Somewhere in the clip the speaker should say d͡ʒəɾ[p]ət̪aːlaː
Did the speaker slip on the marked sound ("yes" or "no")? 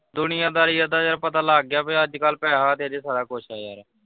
no